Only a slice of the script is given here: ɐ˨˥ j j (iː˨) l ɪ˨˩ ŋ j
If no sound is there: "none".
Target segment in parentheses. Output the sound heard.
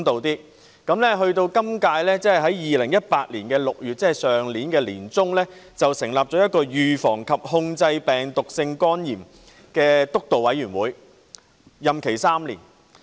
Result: iː˨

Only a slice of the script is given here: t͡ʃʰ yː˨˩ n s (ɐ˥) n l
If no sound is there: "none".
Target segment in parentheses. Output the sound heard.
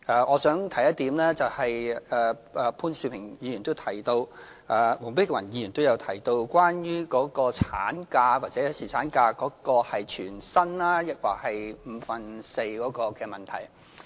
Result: ɐ˥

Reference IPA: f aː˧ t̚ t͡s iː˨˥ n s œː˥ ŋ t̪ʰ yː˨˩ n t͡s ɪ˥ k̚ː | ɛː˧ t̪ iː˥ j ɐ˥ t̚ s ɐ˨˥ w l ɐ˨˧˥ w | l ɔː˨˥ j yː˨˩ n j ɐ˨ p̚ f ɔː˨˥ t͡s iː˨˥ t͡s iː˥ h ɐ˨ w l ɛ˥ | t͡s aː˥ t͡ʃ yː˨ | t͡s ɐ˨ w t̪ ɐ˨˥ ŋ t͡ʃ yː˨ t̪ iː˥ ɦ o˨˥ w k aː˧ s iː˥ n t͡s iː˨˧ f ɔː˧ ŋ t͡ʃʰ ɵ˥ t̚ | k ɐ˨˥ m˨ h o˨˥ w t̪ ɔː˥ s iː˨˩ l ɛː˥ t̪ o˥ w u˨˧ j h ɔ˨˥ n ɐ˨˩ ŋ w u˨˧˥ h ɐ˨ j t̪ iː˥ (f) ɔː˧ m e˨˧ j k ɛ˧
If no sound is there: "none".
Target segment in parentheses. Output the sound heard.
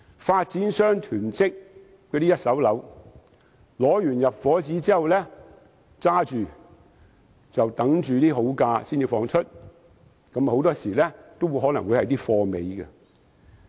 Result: f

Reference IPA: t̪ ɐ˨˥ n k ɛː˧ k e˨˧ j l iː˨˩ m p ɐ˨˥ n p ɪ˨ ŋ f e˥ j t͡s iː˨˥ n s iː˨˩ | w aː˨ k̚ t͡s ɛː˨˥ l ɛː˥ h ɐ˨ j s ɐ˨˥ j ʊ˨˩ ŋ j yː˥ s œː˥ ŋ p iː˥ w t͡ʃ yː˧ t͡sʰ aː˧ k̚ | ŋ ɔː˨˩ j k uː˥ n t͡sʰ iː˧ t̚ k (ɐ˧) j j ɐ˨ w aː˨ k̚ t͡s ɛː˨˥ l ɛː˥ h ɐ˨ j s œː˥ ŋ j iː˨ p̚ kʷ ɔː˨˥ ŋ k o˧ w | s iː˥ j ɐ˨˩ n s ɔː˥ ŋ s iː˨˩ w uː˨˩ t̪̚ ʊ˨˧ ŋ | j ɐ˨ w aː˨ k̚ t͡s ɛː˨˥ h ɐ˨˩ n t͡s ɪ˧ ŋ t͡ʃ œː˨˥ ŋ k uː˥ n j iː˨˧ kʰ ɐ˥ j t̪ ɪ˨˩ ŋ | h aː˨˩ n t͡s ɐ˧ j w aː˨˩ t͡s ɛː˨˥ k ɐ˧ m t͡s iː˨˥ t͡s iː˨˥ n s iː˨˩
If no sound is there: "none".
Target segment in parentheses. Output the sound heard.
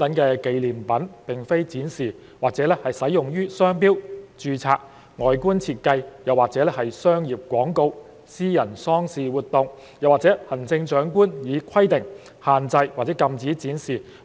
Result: ɐ˧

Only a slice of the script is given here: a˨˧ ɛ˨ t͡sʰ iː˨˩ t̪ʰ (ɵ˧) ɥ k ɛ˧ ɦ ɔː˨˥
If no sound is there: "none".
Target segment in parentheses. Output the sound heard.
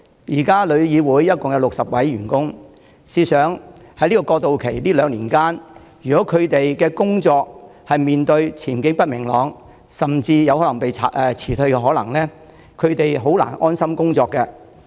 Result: ɵ˧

